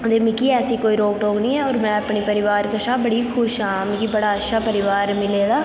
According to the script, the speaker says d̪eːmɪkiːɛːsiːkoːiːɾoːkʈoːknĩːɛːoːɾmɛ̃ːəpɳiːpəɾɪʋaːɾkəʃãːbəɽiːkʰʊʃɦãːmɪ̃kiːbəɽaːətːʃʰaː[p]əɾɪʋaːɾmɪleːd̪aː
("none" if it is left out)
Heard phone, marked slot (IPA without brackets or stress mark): p